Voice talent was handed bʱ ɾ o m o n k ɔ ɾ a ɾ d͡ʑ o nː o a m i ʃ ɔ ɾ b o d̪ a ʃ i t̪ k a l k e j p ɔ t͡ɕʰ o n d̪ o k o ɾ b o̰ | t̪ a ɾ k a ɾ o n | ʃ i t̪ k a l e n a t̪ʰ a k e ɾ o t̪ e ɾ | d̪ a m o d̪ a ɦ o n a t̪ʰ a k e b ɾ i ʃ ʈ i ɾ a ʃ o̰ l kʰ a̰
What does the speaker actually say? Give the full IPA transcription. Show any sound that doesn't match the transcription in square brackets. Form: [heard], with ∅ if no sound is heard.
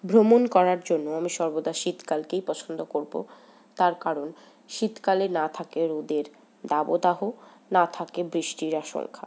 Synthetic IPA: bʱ ɾ o m o n k ɔ ɾ a ɾ d͡ʑ o nː o a m i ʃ ɔ ɾ b o d̪ a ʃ i t̪ k a l k e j p ɔ t͡ɕʰ o n d̪ o k o ɾ b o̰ | t̪ a ɾ k a ɾ o n | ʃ i t̪ k a l e n a t̪ʰ a k e ɾ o [d̪] e ɾ | d̪ a [b] o d̪ a ɦ o n a t̪ʰ a k e b ɾ i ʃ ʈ i ɾ a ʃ o̰ l kʰ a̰